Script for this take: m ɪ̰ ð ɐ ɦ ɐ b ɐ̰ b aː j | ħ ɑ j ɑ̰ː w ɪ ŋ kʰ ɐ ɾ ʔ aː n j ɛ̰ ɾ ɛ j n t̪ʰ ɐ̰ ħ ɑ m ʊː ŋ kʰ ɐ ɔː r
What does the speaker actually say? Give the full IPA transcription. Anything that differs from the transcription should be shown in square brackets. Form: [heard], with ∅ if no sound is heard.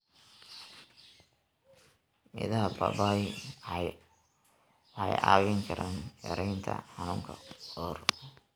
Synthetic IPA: m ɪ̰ ð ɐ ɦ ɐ b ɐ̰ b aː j | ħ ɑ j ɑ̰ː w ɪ ŋ kʰ ɐ ɾ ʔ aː n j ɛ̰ ɾ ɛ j n t̪ʰ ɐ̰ ħ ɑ [n] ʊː ŋ kʰ ɐ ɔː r